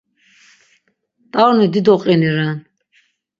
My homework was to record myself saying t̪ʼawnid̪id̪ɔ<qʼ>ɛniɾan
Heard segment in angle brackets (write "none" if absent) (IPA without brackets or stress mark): qʼ